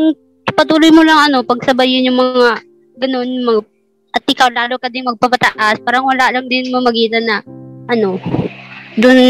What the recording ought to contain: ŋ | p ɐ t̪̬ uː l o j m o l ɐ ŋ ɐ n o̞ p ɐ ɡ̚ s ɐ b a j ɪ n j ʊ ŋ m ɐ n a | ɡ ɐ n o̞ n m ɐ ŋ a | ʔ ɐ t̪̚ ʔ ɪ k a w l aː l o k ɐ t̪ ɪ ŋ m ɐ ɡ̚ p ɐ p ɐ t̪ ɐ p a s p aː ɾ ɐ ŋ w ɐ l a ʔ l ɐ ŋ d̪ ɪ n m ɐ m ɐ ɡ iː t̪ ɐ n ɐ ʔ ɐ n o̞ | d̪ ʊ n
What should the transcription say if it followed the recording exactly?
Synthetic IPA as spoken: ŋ | p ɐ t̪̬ uː l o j m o l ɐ ŋ ɐ n o̞ p ɐ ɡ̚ s ɐ b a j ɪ n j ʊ ŋ m ɐ ŋ a | ɡ ɐ n o̞ n m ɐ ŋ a | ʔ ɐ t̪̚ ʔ ɪ k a w l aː l o k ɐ d̪ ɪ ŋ m ɐ ɡ̚ p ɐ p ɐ t̪ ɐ ʔ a s p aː ɾ ɐ ŋ w ɐ l a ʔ l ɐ ŋ d̪ ɪ n m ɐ m ɐ ɡ iː t̪ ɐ n ɐ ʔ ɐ n o̞ | d̪ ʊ n